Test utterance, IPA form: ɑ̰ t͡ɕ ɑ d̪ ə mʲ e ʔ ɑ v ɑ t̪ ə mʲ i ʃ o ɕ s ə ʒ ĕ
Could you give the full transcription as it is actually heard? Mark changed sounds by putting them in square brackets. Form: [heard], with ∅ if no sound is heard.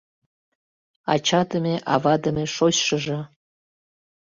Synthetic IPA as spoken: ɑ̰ t͡ɕ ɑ d̪ ə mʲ e ʔ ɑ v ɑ [d̪] ə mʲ [e] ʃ o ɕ [ʃ] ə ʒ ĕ